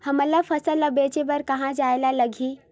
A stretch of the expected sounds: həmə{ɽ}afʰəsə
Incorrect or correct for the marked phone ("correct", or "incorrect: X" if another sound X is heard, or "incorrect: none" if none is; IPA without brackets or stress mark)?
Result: incorrect: l